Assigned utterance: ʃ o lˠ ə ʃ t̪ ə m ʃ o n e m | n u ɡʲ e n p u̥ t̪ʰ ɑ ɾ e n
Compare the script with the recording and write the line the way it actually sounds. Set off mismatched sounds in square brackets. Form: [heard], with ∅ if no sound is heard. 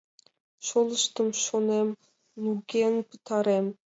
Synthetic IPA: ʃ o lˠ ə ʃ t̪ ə m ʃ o n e m | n u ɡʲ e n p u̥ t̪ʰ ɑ ɾ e [m]